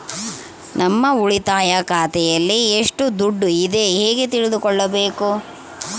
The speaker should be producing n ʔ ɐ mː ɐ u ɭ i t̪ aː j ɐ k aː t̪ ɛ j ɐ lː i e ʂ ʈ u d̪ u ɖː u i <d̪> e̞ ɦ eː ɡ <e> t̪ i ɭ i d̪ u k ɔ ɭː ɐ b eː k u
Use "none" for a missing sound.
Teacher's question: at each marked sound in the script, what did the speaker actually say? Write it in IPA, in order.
d̪, e

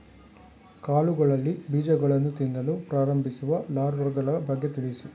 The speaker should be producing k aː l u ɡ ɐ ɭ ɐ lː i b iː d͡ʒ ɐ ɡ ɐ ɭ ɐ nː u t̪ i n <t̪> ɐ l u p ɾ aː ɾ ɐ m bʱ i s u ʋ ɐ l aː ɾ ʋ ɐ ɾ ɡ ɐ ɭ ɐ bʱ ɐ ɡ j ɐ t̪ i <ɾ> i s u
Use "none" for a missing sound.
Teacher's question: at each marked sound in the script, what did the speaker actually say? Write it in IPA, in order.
d̪, ɭ

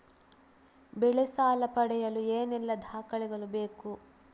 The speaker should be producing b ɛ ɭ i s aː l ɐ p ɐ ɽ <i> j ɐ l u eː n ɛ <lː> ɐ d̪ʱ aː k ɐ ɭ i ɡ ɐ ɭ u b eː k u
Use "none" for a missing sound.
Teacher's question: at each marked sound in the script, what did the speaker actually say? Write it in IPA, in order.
ɛ, lː

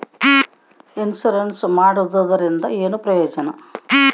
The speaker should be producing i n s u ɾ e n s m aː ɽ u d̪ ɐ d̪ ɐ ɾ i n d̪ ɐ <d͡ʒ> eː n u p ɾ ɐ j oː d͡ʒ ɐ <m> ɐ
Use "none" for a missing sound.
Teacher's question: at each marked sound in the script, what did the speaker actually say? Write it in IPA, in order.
none, n

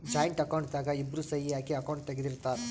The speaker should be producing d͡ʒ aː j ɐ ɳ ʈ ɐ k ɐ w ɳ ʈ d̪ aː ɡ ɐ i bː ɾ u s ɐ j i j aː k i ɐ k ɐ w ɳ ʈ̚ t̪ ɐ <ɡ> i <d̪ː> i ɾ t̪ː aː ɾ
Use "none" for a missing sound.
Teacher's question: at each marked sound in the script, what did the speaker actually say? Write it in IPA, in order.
ɡ, d̪

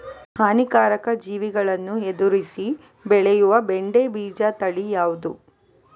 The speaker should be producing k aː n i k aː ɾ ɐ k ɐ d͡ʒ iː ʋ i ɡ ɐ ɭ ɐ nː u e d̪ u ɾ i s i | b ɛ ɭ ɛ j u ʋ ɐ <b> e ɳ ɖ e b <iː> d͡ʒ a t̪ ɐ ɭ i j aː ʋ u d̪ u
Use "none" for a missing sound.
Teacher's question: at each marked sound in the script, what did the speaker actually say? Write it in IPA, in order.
b, iː

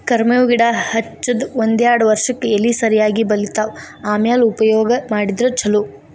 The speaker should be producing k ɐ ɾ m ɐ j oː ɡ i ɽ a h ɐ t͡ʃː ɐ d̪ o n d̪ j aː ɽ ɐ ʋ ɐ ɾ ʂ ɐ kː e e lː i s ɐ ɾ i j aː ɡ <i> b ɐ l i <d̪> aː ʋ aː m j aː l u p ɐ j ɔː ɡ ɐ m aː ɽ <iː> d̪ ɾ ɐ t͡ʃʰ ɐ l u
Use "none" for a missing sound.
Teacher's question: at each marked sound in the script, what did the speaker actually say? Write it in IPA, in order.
i, t̪, i

